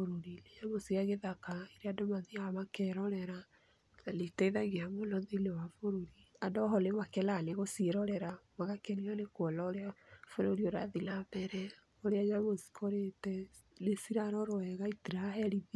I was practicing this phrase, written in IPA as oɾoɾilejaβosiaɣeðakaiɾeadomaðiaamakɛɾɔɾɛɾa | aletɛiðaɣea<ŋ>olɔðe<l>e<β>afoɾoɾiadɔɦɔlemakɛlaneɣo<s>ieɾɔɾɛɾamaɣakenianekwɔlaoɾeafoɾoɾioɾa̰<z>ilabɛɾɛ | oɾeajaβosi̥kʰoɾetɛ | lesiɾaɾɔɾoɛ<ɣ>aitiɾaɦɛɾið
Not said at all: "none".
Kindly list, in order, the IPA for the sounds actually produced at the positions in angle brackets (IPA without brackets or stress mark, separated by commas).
m, l, w, s, ð, ɣ